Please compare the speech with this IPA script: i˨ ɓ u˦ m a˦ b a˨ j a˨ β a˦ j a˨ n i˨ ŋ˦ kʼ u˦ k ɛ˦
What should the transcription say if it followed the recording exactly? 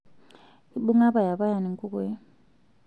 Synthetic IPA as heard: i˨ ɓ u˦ ŋ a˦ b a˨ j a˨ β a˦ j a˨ n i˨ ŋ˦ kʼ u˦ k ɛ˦